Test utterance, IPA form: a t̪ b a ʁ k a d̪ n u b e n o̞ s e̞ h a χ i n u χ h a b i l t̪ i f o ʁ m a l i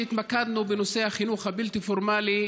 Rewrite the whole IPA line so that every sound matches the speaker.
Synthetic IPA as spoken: i t̪ m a k a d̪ n u b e n o̞ s e̞ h a χ i n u χ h a b i l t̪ i f o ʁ m a l i